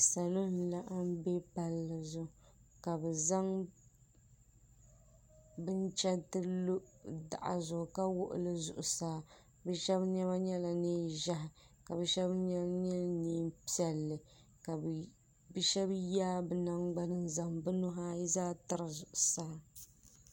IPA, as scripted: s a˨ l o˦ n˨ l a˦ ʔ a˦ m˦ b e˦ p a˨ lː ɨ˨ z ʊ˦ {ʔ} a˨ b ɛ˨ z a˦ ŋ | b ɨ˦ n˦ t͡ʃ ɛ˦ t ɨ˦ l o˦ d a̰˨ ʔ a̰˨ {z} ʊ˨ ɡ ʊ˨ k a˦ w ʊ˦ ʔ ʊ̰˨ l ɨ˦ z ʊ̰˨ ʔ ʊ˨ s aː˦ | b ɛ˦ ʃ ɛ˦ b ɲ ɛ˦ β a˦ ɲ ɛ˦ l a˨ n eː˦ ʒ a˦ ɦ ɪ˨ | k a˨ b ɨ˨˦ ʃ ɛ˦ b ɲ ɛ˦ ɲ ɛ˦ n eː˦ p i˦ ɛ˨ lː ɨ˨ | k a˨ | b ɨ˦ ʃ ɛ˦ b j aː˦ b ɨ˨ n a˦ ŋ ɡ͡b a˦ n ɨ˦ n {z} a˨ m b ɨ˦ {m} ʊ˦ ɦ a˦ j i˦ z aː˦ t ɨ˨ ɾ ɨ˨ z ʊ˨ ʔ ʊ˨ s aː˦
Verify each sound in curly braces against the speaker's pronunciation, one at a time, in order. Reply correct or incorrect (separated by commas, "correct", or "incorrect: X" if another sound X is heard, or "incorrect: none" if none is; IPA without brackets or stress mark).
incorrect: k, correct, correct, incorrect: n